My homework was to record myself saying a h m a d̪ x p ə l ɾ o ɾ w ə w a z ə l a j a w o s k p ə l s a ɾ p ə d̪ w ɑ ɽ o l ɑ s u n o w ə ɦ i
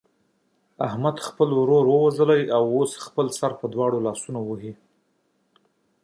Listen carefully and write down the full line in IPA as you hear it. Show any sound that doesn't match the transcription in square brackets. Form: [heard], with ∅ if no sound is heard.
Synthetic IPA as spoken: a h m a d̪ x p ə l ɾ o ɾ w ə w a z ə l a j a w o s [x] p ə l s a ɾ p ə d̪ w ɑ ɽ o l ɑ s u n o w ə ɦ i